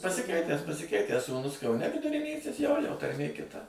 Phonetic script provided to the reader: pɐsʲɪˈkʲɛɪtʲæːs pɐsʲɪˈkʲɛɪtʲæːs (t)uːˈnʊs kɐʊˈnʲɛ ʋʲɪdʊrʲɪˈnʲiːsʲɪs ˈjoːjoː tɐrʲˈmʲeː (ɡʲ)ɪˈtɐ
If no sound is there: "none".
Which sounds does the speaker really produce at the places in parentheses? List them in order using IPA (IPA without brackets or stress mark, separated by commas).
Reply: s, kʲ